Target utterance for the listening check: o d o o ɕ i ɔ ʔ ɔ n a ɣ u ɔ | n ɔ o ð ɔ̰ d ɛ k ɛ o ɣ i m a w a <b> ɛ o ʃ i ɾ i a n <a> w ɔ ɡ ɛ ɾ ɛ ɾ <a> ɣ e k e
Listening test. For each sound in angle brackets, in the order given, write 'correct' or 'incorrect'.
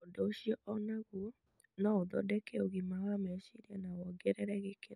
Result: incorrect, correct, incorrect

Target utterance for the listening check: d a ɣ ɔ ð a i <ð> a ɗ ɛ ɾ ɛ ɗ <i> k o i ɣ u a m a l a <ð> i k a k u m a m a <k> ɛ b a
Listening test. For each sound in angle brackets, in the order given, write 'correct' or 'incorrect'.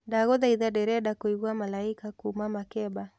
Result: correct, incorrect, incorrect, correct

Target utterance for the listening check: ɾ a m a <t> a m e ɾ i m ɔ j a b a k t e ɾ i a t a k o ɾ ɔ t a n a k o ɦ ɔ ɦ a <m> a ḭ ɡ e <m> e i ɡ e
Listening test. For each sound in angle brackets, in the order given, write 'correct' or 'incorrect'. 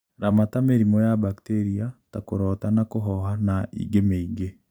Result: correct, incorrect, correct

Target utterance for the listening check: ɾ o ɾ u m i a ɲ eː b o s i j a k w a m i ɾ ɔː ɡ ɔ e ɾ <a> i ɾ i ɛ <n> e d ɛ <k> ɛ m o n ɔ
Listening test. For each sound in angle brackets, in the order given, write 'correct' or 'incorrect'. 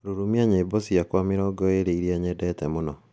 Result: incorrect, incorrect, incorrect

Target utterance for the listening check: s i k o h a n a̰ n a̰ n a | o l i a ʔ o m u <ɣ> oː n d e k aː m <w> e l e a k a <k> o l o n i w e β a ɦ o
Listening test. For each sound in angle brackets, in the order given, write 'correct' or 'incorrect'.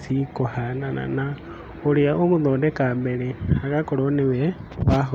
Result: incorrect, incorrect, correct

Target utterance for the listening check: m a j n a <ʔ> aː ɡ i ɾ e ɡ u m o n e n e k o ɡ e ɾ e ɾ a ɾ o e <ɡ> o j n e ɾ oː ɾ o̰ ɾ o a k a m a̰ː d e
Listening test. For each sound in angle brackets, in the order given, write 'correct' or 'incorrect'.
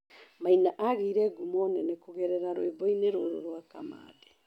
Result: correct, incorrect

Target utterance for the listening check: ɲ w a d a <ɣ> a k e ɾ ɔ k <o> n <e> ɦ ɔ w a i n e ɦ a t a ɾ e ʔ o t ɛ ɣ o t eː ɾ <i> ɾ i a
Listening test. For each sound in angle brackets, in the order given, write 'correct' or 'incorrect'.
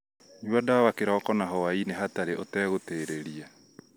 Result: incorrect, incorrect, incorrect, incorrect

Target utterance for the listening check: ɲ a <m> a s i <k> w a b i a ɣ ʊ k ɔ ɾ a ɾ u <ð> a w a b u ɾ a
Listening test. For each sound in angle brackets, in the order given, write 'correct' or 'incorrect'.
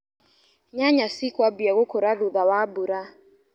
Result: incorrect, correct, correct

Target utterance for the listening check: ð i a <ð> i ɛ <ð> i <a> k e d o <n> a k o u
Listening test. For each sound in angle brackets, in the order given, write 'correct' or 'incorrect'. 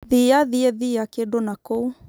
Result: correct, correct, correct, correct

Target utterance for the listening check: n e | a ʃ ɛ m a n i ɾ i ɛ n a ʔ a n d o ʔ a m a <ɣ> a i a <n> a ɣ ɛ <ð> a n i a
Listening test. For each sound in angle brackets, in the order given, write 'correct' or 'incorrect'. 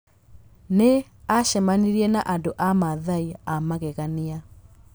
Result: incorrect, incorrect, incorrect

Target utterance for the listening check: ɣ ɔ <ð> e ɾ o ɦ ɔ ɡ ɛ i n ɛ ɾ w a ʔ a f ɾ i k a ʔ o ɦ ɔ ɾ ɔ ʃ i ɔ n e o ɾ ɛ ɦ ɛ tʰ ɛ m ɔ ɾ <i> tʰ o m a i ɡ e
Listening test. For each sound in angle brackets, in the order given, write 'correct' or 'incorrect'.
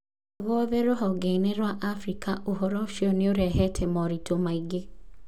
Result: correct, correct

